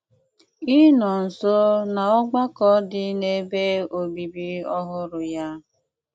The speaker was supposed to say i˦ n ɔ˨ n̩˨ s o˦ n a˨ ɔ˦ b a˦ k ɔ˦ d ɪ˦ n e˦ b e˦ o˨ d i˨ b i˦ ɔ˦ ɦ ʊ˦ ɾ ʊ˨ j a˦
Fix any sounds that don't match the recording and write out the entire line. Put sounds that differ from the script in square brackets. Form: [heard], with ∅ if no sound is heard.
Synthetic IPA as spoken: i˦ n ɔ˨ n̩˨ s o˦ n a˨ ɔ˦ [ɡ͡b] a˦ k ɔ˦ d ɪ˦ n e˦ b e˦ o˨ [b] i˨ b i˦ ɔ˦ ɦ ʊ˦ ɾ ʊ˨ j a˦

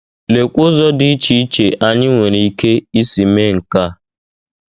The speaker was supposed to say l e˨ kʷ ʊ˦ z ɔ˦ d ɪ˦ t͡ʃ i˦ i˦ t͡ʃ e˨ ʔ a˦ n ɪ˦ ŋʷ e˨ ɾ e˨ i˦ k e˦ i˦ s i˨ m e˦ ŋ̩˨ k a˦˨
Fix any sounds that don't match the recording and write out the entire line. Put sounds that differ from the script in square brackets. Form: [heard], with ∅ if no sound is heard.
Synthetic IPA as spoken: l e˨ kʷ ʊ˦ z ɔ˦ d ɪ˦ t͡ʃ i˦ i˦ t͡ʃ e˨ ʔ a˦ [ɲ] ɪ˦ ŋʷ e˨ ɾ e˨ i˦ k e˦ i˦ s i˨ m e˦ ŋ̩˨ k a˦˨

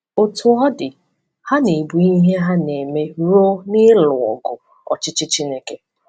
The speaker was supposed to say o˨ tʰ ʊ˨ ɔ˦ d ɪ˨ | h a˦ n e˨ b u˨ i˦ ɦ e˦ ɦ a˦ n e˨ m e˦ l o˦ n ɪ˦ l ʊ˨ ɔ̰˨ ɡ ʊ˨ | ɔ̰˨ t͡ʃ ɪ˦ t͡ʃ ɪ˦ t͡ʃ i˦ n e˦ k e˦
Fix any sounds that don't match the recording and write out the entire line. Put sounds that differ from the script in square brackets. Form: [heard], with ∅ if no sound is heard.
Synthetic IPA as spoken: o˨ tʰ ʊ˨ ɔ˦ d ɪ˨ | h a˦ n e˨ b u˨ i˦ ɦ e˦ ɦ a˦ n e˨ m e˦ [ɾ] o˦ n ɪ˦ l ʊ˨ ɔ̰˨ ɡ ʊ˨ | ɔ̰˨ t͡ʃ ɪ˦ t͡ʃ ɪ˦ t͡ʃ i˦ n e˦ k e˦

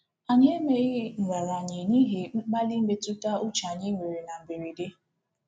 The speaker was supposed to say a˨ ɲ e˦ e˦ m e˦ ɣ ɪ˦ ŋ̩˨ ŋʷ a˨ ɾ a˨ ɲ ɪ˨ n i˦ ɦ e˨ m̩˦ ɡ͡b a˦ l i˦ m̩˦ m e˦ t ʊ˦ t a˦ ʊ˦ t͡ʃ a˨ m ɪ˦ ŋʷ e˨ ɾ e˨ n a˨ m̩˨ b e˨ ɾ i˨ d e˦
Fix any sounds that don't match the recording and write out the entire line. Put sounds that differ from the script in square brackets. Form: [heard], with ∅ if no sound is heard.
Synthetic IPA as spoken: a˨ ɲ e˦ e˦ m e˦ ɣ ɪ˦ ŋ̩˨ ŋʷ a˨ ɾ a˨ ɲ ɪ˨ n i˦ ɦ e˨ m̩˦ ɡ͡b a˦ l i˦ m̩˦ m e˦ t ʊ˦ t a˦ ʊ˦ t͡ʃ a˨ [ɲ] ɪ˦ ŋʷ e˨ ɾ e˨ n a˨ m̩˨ b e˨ ɾ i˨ d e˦

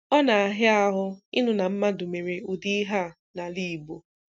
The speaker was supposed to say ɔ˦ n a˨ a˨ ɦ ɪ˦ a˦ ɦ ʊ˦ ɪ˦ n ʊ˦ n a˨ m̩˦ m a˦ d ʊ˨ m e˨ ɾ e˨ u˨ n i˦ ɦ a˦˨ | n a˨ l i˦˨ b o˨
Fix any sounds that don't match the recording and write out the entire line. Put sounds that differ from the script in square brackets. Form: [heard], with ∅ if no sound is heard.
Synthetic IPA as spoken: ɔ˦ n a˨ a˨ ɦ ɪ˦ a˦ ɦ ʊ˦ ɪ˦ n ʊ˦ n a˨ m̩˦ m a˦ d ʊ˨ m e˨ ɾ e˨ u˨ [d] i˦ ɦ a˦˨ | n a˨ l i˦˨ b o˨

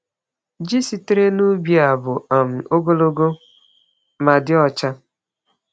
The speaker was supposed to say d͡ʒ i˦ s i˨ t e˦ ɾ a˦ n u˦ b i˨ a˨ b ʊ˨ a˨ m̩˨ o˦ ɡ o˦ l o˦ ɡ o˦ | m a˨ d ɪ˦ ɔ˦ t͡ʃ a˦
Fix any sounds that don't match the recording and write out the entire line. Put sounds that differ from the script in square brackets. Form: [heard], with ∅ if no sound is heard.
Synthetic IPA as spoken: d͡ʒ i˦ s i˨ t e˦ ɾ [e˦] n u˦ b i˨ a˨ b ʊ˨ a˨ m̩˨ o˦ ɡ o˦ l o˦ ɡ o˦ | m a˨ d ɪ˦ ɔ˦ t͡ʃ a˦

